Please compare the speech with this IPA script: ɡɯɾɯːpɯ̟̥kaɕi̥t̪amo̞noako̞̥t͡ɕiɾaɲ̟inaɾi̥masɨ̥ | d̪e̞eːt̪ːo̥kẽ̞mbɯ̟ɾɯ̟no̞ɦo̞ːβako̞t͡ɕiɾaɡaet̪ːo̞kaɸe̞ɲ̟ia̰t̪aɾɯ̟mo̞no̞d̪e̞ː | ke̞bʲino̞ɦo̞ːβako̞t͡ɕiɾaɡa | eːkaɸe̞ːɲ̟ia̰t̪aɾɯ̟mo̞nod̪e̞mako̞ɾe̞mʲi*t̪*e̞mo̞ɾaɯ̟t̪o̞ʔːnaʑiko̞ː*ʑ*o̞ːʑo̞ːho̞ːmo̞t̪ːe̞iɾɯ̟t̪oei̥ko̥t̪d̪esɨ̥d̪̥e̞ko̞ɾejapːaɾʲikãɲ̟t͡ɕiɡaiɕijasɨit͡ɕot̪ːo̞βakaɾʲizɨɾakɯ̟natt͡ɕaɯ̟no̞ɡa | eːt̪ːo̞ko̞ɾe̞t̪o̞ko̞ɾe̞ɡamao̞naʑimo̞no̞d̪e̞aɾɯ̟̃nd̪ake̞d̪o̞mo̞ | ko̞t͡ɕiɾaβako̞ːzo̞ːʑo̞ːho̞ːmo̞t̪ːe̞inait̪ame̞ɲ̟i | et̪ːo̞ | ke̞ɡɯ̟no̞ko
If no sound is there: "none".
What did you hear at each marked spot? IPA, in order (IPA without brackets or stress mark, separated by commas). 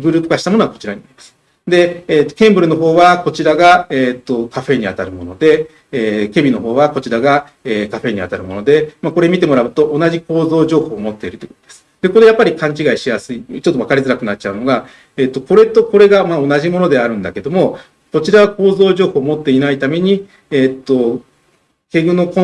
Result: t̪, z